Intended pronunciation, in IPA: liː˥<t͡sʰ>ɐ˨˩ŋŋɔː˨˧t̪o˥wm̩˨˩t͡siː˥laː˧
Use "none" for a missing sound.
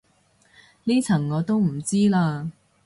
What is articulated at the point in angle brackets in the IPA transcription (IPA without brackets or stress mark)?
t͡sʰ